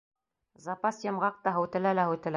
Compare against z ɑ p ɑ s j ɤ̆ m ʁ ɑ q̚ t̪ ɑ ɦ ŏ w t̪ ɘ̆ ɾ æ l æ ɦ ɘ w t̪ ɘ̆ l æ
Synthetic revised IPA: z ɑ p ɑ s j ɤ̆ m ʁ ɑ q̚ t̪ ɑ ɦ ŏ w t̪ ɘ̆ l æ l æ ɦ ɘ w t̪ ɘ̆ l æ